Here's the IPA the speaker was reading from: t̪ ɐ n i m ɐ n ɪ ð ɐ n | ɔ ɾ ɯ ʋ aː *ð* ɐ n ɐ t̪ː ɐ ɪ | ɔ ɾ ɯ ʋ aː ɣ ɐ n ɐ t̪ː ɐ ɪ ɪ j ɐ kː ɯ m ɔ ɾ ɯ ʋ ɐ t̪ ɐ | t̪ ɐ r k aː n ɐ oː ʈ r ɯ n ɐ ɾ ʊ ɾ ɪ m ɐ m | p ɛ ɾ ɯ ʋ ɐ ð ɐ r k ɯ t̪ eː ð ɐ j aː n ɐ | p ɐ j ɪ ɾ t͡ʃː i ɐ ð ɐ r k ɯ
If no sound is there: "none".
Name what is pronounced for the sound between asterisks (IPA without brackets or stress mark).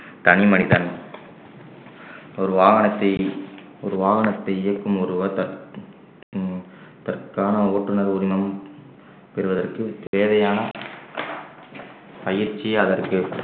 ɣ